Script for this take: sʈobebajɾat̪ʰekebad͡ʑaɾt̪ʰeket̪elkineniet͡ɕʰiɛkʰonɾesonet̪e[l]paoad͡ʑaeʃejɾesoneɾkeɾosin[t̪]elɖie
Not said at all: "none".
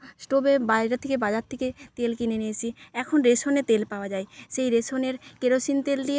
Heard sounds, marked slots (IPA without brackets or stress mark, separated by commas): l, t̪